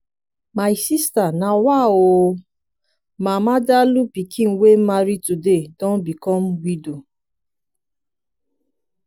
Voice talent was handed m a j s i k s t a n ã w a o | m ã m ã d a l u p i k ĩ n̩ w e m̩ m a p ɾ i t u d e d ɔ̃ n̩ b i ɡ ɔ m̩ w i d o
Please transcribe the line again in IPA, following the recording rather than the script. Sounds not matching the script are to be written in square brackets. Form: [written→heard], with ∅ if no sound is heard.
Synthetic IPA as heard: m a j s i [k→∅] s t a n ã w a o | m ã m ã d a l u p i k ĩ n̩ w e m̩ m a [p→∅] ɾ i t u d e d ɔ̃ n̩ b i [ɡ→k] ɔ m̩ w i d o